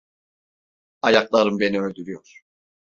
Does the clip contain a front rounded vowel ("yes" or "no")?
yes